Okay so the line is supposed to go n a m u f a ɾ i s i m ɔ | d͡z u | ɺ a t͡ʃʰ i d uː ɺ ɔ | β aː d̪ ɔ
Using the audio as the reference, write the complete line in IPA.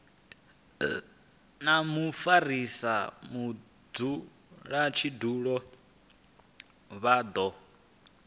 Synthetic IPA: n a m u f a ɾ i s a m u | d͡z u | ɺ a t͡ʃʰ i d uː ɺ ɔ | β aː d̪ ɔ

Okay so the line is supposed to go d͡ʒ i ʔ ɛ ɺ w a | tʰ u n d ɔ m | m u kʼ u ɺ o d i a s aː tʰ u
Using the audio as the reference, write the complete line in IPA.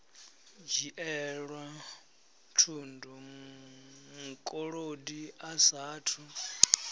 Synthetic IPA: d͡ʒ i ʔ ɛ ɺ w a | tʰ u n d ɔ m | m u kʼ ɔ ɺ o d i a s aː tʰ u

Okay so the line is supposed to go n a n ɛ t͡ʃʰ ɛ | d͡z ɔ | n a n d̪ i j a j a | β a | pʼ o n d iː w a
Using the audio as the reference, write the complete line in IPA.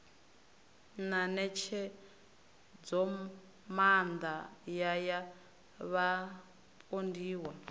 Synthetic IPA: n a n ɛ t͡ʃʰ ɛ | d͡z ɔ | m a n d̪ a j a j a | β a | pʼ o n d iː w a

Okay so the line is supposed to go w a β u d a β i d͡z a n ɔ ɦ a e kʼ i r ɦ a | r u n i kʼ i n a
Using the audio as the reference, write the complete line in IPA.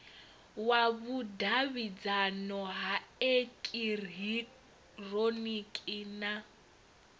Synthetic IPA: w a β u d a β i d͡z a n ɔ ɦ a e kʼ i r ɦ i | r o n i kʼ i n a

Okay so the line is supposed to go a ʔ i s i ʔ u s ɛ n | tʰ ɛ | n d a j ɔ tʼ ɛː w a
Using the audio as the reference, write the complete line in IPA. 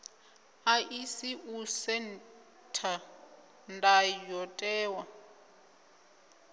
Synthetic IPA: a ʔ i s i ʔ u s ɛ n | tʰ a | n d a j ɔ tʼ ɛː w a

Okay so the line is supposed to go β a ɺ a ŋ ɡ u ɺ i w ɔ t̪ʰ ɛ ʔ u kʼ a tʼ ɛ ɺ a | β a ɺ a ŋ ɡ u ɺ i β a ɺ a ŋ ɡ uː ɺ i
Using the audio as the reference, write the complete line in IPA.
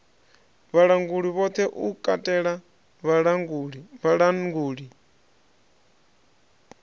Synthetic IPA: β a ɺ a ŋ ɡ u ɺ i β ɔ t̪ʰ ɛ ʔ u kʼ a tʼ ɛ ɺ a | β a ɺ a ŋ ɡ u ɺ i β a ɺ a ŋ ɡ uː ɺ i

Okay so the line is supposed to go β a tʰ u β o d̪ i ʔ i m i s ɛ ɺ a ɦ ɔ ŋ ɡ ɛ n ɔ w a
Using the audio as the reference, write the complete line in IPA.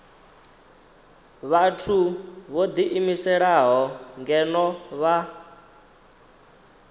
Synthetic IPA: β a tʰ u β o d̪ i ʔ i m i s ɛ ɺ a ɦ ɔ ŋ ɡ ɛ n ɔ β a

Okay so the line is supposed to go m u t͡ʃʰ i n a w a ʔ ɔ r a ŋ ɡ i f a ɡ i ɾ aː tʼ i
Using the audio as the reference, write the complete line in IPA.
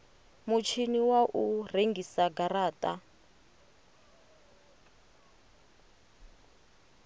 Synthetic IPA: m u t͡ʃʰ i n i w a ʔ u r e ŋ ɡ i s a ɡ a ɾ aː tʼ a

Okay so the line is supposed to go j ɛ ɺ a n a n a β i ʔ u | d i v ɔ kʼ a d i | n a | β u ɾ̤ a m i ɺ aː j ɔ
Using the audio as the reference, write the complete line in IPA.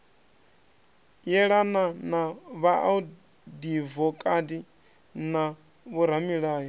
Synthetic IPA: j ɛ ɺ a n a n a β a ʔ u | d i v ɔ kʼ a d i | n a | β u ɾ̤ a m i ɺ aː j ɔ

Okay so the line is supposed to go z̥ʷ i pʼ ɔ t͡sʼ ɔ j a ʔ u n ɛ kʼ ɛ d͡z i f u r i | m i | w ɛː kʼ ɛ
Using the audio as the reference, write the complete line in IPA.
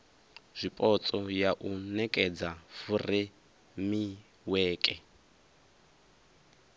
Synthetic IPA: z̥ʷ i pʼ ɔ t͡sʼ ɔ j a ʔ u n ɛ kʼ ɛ d͡z a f u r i | m i | w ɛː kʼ ɛ

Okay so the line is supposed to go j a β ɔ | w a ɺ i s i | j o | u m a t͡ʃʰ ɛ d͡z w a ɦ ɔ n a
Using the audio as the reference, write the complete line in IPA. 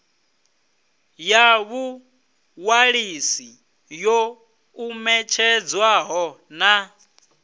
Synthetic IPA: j a β u | w a ɺ i s i | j o | u m ɛ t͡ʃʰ ɛ d͡z w a ɦ ɔ n a

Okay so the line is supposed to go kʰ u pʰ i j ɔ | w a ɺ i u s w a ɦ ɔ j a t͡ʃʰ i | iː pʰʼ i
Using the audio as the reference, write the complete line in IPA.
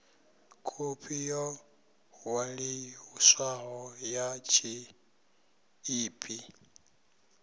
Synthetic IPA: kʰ u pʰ i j ɔ | w a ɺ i u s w a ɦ ɔ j a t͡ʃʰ i | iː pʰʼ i

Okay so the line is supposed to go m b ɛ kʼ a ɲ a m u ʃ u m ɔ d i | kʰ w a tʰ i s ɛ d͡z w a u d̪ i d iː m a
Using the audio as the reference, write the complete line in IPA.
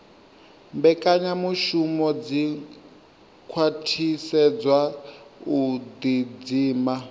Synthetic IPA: m b ɛ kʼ a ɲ a m u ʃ u m ɔ d͡z i | kʰ w a tʰ i s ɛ d͡z w a u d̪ i d͡z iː m a

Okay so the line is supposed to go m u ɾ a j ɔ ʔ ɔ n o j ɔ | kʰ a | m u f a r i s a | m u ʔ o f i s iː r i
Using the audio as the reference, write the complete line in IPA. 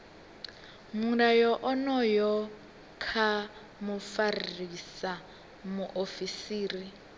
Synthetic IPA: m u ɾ a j ɔ ʔ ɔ n ɔ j ɔ | kʰ a | m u f a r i s a | m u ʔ o f i s iː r i

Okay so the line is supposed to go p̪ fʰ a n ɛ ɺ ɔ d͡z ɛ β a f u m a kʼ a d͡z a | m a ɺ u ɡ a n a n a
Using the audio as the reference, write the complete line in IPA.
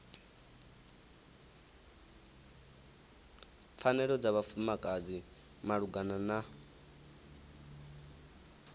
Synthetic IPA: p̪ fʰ a n ɛ ɺ ɔ d͡z a β a f u m a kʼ a d͡z i | m a ɺ u ɡ a n a n a

